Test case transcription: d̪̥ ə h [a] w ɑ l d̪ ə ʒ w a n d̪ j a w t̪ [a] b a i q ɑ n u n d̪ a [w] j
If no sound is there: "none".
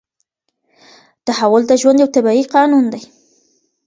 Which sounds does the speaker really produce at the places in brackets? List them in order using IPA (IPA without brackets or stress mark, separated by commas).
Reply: a, a, none